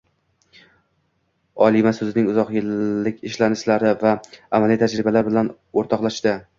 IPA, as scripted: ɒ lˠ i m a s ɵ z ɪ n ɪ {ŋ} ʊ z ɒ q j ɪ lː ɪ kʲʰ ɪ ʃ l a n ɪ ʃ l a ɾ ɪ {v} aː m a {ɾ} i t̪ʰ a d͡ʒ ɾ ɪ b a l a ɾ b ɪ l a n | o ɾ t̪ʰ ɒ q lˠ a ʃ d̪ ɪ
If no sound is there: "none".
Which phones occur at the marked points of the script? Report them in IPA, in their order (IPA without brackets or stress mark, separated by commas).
ŋ, v, l